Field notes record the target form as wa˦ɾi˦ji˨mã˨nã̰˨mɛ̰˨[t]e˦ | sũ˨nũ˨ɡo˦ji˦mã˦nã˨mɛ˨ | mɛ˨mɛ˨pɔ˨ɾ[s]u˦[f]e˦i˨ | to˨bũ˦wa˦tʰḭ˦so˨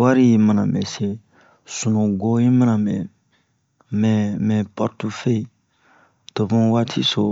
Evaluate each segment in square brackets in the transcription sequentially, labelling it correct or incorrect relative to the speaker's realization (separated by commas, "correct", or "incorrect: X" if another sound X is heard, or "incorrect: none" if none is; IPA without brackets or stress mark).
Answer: incorrect: s, incorrect: t, correct